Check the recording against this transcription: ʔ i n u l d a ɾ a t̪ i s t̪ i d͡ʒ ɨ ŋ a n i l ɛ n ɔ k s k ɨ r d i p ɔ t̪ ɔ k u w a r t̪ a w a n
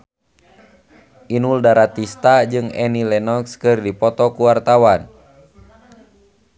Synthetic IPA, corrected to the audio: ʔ i n u l d a ɾ a t̪ i s t̪ a d͡ʒ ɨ ŋ ɛ n i l ɛ n ɔ k s k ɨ r d i p ɔ t̪ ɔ k u w a r t̪ a w a n